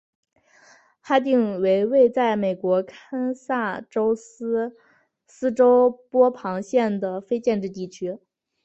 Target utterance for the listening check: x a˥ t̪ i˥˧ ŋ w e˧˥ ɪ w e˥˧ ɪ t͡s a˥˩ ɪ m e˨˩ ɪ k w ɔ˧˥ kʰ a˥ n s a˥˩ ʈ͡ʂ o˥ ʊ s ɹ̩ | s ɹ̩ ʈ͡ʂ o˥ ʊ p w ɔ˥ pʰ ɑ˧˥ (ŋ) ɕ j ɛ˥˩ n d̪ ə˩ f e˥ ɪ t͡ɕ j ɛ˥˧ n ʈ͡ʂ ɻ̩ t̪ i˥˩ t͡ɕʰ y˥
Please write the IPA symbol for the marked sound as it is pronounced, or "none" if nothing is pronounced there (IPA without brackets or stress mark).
ŋ